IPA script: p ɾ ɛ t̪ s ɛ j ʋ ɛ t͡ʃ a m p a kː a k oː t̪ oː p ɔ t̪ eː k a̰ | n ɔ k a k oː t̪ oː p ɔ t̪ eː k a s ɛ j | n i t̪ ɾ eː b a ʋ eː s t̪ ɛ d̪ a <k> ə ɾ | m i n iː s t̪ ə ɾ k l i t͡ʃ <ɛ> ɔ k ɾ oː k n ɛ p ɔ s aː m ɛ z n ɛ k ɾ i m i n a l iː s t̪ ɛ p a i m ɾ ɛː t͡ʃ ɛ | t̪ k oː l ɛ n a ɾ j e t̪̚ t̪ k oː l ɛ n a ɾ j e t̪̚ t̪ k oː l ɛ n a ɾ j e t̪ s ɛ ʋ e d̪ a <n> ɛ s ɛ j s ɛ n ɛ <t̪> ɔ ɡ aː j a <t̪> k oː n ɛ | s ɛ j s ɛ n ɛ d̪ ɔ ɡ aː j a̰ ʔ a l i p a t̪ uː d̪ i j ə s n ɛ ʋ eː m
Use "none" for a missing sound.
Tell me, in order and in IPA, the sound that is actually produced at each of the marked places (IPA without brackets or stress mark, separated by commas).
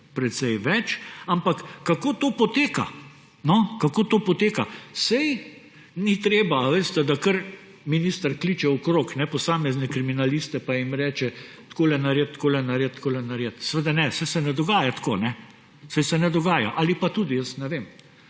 k, ɛ, n, d̪, t̪